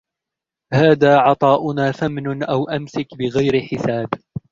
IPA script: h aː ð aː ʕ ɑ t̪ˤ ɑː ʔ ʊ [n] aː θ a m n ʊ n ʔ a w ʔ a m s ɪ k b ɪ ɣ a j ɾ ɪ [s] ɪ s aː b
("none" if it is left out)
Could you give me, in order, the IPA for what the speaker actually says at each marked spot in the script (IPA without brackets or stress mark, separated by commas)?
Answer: n, ħ